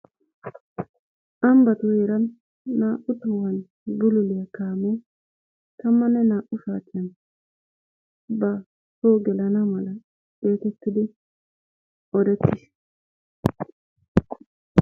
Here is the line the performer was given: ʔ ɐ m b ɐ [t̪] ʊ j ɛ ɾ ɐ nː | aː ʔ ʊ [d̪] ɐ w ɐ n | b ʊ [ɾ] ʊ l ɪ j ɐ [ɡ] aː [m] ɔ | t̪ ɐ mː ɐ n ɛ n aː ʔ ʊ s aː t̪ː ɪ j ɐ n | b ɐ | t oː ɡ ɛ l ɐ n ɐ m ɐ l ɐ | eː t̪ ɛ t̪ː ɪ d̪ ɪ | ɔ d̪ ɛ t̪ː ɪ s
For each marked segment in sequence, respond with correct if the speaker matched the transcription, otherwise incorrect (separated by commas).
correct, incorrect, incorrect, incorrect, correct